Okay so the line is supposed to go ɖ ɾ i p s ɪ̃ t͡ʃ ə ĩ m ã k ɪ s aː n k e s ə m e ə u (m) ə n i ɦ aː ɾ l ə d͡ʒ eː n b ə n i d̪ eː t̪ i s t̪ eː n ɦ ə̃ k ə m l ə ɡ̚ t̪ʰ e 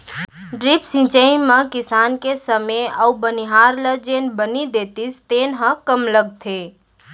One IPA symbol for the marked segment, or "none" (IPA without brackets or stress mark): b